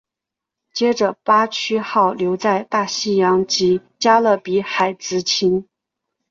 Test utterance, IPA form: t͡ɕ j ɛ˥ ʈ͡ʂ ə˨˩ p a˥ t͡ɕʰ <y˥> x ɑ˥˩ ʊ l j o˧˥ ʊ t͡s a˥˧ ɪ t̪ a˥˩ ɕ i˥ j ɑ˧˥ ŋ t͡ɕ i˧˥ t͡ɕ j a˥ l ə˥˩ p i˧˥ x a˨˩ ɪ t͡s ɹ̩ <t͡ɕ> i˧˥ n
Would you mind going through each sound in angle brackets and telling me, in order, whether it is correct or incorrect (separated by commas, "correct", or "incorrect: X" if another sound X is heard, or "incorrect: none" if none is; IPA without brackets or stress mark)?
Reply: correct, incorrect: t͡ɕʰ